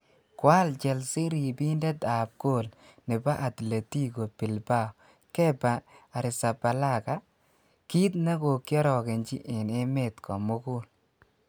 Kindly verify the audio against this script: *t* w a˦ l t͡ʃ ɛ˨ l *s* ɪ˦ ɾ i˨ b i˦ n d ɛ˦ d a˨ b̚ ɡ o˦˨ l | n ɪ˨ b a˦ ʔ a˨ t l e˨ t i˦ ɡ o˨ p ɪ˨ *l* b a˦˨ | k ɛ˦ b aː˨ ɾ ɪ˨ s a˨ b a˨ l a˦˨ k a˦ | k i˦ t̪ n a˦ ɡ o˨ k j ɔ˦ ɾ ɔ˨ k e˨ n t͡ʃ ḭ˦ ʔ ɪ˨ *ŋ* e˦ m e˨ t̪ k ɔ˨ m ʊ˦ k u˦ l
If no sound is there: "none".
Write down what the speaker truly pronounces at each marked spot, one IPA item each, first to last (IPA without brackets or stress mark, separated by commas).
k, s, l, n